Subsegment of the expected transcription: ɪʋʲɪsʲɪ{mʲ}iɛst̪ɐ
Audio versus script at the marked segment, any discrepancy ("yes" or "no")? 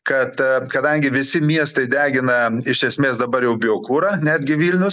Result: no